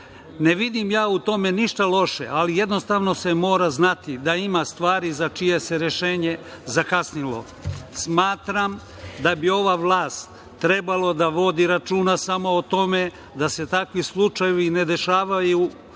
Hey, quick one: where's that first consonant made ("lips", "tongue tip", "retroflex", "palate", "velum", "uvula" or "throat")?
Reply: tongue tip